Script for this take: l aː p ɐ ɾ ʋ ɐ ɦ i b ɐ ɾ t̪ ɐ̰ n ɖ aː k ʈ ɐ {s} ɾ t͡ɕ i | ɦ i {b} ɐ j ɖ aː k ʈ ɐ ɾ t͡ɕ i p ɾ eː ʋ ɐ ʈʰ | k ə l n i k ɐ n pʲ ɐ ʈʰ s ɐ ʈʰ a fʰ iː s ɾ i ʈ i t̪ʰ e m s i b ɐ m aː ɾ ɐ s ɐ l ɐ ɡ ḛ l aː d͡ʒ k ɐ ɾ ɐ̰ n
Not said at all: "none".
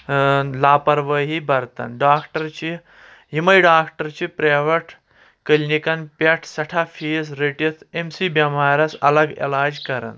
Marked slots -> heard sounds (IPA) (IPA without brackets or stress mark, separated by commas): none, m